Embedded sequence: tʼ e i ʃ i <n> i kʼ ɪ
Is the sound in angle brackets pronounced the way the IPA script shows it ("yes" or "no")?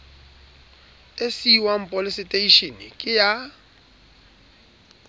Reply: yes